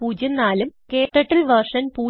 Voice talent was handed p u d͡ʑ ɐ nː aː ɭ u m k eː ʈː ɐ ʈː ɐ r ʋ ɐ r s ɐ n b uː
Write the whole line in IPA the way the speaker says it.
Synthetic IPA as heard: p uː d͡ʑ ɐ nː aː l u m k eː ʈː ɐ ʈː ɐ l ʋ ɐ r ʂ ɐ n p uː